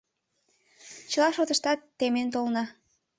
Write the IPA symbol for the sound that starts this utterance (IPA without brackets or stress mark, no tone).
t͡ɕ